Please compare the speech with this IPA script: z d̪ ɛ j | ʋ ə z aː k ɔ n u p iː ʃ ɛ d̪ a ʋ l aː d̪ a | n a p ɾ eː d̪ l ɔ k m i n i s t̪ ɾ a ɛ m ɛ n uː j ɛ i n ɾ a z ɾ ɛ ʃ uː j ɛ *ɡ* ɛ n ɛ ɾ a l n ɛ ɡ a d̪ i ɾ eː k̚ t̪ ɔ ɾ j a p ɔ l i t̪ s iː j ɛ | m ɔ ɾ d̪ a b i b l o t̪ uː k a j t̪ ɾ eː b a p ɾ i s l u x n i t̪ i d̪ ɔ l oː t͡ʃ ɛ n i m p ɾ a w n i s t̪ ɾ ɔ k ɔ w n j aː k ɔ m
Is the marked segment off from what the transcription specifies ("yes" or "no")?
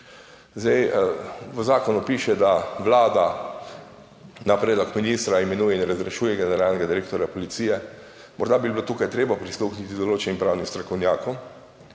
no